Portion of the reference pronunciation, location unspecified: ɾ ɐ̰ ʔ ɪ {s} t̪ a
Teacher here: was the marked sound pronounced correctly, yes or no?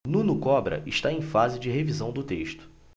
no